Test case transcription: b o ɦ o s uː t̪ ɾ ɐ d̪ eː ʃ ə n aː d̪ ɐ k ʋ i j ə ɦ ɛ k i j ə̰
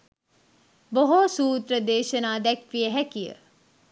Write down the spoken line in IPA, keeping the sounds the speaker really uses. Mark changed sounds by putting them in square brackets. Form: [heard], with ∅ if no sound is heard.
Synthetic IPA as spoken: b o ɦ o s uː t̪ ɾ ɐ d̪ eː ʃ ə n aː d̪ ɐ k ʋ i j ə ɦ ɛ k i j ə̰